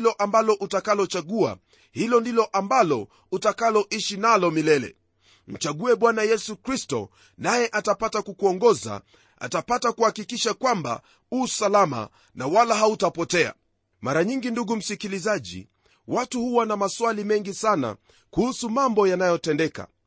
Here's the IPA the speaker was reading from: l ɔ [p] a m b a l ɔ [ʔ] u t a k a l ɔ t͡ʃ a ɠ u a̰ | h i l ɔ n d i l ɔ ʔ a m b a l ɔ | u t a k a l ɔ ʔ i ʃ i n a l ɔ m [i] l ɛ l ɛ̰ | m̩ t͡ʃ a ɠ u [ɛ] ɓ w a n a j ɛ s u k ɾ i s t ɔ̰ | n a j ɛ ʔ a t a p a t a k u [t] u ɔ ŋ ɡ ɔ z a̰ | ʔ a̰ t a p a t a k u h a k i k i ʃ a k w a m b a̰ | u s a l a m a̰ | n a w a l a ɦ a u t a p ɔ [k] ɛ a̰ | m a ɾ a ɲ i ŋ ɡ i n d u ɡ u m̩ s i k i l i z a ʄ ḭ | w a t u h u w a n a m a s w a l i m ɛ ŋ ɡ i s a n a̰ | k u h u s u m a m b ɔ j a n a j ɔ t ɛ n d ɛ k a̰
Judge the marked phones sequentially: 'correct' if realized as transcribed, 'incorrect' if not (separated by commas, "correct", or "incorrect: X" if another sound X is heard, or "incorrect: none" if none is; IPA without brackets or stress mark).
incorrect: ʔ, correct, correct, correct, incorrect: k, incorrect: t